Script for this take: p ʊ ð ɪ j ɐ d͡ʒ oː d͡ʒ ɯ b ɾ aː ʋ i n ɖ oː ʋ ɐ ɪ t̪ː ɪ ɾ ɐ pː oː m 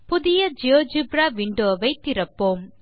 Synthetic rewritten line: p ʊ ð ɪ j ɐ d͡ʒ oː d͡ʒ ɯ b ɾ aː ʋ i ɳ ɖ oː ʋ ɐ ɪ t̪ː ɪ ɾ ɐ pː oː m